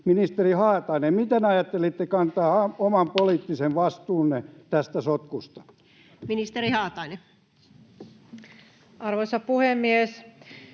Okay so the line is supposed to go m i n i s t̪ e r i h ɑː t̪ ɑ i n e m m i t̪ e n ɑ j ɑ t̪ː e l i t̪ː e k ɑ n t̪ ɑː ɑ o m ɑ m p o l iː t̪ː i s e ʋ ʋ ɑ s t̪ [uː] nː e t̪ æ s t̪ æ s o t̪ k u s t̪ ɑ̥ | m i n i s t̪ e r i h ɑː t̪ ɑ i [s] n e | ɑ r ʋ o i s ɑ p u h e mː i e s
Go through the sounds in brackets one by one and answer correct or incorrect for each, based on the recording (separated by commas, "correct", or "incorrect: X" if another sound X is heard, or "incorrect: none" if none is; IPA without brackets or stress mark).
correct, incorrect: none